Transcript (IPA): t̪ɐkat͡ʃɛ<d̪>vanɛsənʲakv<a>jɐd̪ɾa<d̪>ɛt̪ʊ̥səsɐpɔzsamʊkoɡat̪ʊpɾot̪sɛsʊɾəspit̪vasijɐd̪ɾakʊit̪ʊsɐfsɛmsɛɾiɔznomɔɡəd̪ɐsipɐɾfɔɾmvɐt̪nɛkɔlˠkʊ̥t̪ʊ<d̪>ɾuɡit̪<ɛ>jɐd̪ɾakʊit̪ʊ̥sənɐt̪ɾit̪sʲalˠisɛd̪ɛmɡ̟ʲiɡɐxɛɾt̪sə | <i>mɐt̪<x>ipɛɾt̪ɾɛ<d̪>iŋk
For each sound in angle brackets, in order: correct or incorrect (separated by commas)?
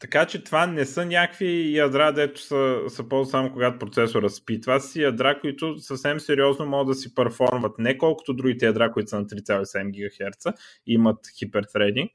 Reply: incorrect, incorrect, correct, correct, correct, correct, correct, correct